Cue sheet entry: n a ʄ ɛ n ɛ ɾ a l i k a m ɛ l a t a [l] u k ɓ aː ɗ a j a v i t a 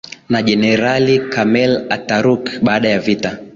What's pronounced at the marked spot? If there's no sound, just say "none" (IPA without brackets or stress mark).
ɾ